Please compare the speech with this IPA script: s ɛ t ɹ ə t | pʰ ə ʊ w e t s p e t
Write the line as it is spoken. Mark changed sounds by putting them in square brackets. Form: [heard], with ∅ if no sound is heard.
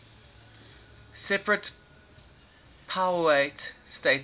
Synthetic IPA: s ɛ [p] ɹ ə t | pʰ [a] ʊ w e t s [t] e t